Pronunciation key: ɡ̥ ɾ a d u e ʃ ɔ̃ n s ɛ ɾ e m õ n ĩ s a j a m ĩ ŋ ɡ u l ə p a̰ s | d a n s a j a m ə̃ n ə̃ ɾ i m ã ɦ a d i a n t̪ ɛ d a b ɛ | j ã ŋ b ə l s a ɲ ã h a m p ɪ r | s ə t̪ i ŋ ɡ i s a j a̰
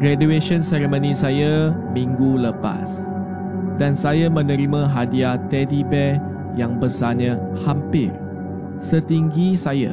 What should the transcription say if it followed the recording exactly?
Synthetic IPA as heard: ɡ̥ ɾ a d u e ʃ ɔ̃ n s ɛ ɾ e m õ n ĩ s a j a m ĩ ŋ ɡ u l ə p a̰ s | d a n s a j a m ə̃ n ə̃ ɾ i m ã ɦ a d i a t̪ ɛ d i b ɛ | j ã ŋ b ə s a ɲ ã h a m p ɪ r | s ə t̪ i ŋ ɡ i s a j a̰